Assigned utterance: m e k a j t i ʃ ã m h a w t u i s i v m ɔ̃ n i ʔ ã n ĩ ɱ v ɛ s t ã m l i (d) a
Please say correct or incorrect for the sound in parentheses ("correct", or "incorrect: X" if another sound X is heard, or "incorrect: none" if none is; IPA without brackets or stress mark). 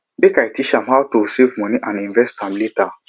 incorrect: t